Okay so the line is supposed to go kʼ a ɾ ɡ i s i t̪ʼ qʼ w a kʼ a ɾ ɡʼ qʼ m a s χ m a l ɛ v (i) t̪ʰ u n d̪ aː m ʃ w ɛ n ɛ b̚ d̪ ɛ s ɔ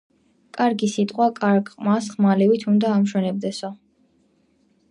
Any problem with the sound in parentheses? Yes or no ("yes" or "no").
no